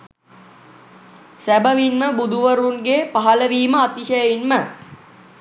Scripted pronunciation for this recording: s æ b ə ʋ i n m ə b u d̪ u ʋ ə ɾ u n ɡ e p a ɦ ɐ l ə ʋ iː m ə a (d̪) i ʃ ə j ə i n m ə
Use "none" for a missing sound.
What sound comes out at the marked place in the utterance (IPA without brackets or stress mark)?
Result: t̪